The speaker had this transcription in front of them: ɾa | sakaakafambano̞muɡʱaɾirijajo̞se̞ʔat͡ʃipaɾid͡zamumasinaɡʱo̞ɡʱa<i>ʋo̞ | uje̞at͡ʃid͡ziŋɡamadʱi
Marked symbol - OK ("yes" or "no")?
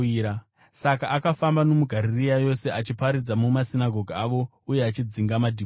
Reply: no